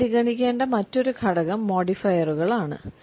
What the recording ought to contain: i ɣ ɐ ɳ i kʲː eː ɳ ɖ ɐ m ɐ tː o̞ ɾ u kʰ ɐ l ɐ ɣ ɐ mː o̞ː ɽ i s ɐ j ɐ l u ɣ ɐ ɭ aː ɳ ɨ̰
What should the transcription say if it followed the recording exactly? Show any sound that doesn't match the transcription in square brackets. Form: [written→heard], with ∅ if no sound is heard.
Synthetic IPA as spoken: i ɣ ɐ ɳ i kʲː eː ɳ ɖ ɐ m ɐ tː o̞ ɾ u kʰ ɐ [l→ɽ] ɐ ɣ ɐ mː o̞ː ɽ i [s→f] ɐ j ɐ [l→r] u ɣ ɐ ɭ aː ɳ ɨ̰